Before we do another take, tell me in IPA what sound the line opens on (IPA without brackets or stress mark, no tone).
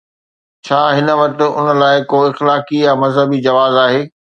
t͡ɕʰ